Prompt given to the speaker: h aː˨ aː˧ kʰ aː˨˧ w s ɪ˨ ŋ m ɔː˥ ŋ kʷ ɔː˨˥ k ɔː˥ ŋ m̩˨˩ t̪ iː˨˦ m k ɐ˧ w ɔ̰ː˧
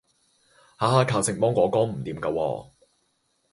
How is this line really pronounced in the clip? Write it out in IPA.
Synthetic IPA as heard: h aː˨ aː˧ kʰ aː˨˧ w s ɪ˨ ŋ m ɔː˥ ŋ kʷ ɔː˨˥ k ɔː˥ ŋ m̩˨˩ t̪ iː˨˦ m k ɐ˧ w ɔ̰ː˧